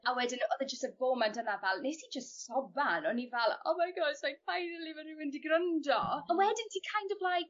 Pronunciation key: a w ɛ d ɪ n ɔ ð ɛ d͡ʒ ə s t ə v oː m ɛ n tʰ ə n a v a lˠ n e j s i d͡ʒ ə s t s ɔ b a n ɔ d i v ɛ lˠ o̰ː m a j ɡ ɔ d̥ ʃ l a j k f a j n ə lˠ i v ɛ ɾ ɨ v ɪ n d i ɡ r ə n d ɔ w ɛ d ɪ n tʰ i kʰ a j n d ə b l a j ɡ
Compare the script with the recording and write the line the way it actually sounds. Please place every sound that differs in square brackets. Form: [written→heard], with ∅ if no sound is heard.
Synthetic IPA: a w ɛ d ɪ n ɔ ð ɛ d͡ʒ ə s t ə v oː m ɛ n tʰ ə n a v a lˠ n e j s i d͡ʒ ə s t s ɔ b a n ɔ [d→n] i v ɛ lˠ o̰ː m a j ɡ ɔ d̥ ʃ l a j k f a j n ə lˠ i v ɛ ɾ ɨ [v→w] ɪ n d i ɡ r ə n d ɔ w ɛ d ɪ n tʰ i kʰ a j n d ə b l a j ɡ

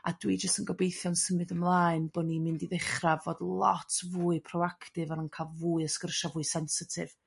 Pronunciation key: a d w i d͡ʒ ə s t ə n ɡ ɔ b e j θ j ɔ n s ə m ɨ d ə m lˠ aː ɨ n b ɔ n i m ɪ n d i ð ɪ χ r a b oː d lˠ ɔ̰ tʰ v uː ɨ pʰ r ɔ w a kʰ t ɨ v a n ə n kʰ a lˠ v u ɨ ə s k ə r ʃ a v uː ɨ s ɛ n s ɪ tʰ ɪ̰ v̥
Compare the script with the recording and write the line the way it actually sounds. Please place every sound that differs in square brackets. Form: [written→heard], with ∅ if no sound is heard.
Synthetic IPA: a d w i d͡ʒ ə s t ə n ɡ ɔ b e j θ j ɔ n s ə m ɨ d ə m lˠ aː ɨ n b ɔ n i m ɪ n d i ð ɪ χ r a [b→v] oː d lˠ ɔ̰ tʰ v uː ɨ pʰ r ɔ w a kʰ t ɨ v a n ə n kʰ a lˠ v u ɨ ə s k ə r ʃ a v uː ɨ s ɛ n s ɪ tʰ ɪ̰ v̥

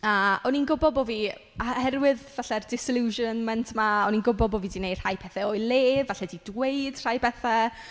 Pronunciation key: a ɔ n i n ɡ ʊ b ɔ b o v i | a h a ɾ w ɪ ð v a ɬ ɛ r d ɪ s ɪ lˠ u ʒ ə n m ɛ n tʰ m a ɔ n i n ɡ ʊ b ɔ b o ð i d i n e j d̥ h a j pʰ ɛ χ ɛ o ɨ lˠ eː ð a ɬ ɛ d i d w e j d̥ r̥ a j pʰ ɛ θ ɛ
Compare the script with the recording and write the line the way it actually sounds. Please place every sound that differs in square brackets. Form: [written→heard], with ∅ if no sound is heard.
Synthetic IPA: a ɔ n i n ɡ ʊ b ɔ b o v i | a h [a→ɛ] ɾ w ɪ ð v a ɬ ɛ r d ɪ s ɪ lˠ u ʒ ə n m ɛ n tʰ m a ɔ n i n ɡ ʊ b ɔ b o [ð→v] i d i n e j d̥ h a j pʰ ɛ [χ→θ] ɛ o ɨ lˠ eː [ð→v] a ɬ ɛ d i d w e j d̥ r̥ a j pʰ ɛ θ ɛ

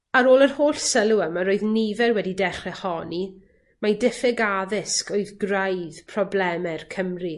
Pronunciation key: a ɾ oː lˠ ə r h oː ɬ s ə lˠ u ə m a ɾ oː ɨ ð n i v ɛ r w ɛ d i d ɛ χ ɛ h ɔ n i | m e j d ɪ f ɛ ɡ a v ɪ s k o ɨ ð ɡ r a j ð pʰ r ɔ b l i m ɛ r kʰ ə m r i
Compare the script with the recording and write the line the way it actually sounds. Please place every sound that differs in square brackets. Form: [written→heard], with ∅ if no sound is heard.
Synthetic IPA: a ɾ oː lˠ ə r h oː ɬ s ə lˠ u ə m a ɾ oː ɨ ð n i v ɛ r w ɛ d i d ɛ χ ɛ h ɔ n i | m [e→a] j d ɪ f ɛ ɡ a [v→ð] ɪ s k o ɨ ð ɡ r a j ð pʰ r ɔ b l [i→ɛ] m ɛ r kʰ ə m r i

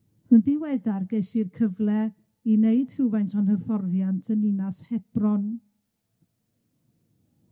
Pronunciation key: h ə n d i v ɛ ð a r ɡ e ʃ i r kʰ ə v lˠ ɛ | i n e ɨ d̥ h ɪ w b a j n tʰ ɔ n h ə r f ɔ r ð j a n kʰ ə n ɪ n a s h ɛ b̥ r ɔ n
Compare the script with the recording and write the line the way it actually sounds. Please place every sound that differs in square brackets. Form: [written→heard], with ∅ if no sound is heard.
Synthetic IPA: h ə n d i [v→w] ɛ ð a r ɡ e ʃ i r kʰ ə v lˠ ɛ | i n e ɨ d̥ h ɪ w [b→v] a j n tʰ ɔ n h ə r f ɔ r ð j a n [kʰ→tʰ] ə n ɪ n a s h ɛ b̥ r ɔ n

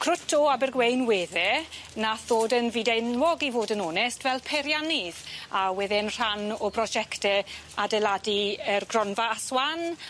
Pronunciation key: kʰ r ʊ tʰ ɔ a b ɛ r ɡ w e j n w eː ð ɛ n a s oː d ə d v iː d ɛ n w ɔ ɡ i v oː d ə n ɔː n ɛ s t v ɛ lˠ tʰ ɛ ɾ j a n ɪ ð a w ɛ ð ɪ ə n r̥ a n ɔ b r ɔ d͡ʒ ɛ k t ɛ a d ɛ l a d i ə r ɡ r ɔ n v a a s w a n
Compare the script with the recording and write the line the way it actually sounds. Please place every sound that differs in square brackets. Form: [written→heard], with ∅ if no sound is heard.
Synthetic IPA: kʰ r ʊ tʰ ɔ a b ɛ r ɡ w e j n w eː ð ɛ n a [s→θ] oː d ə [d→n] v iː d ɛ n w ɔ ɡ i v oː d ə n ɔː n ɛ s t v ɛ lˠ [tʰ→pʰ] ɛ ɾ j a n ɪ ð a w ɛ ð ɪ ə n r̥ a n ɔ b r ɔ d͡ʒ ɛ k t ɛ a d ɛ l a d i ə r ɡ r ɔ n v a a s w a n

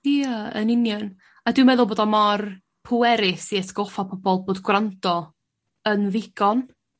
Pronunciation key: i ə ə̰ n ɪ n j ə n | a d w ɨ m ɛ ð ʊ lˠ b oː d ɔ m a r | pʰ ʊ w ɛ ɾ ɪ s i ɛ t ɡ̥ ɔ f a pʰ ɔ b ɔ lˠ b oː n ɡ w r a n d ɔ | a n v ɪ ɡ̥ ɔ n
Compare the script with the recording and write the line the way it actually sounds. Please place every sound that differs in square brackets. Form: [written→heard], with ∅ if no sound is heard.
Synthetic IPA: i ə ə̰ n ɪ n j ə n | a d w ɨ m ɛ ð ʊ lˠ b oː d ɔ m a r | pʰ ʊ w ɛ ɾ ɪ s i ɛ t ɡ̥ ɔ f a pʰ ɔ b ɔ lˠ b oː [n→d] ɡ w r a n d ɔ | [a→ə] n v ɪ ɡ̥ ɔ n

